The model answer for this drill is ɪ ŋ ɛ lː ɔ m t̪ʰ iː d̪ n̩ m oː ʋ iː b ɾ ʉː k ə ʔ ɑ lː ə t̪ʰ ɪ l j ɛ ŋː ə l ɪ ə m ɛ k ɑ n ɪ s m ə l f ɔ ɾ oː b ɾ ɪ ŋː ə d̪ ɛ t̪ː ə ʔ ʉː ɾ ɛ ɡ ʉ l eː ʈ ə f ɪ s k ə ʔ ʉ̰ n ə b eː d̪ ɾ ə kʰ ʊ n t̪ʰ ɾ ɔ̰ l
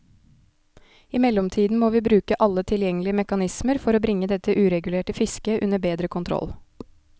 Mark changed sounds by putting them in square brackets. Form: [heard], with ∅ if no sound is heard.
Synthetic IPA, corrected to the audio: ɪ [m] ɛ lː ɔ m t̪ʰ iː d̪ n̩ m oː ʋ iː b ɾ ʉː k ə ʔ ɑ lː ə t̪ʰ ɪ l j ɛ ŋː ə l ɪ ə m ɛ k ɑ n ɪ s m ə [ɾ] f ɔ ɾ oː b ɾ ɪ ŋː ə d̪ ɛ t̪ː ə ʔ ʉː ɾ ɛ ɡ ʉ l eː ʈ ə f ɪ s k ə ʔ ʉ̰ n ə b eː d̪ ɾ ə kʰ ʊ n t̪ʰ ɾ ɔ̰ l